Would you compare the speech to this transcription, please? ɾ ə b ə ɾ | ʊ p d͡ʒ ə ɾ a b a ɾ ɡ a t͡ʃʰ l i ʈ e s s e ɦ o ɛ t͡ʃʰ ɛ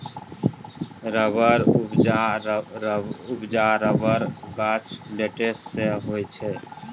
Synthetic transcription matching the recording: ɾ ə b ə ɾ | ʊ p d͡ʒ a ɾ ə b ə ɾ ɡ a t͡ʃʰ l e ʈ e s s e ɦ o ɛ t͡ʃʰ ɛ